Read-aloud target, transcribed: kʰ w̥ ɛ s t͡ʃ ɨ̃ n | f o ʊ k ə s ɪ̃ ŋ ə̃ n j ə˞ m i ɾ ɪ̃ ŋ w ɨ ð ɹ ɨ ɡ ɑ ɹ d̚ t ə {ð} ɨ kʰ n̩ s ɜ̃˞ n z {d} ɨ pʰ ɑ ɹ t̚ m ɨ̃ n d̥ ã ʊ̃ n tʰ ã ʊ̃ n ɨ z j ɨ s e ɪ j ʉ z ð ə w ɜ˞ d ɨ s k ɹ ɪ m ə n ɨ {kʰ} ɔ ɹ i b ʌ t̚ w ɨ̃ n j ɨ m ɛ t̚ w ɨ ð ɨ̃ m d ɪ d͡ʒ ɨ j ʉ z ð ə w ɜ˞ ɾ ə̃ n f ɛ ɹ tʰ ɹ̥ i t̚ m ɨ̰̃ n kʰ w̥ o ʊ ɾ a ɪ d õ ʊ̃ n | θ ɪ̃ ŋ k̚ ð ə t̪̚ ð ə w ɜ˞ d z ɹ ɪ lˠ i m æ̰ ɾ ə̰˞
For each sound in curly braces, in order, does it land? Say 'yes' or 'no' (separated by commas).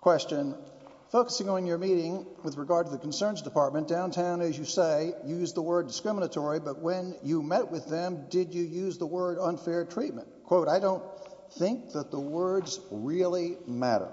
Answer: yes, yes, no